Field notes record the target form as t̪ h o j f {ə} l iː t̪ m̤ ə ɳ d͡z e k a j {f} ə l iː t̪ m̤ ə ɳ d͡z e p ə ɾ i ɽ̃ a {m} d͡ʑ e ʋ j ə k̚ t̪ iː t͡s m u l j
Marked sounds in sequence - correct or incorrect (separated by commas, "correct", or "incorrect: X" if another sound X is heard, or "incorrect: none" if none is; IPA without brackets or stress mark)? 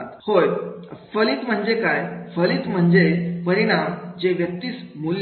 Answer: correct, correct, correct